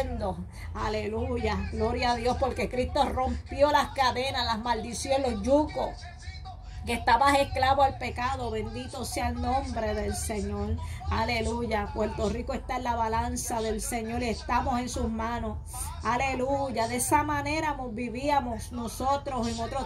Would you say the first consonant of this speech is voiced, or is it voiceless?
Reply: voiced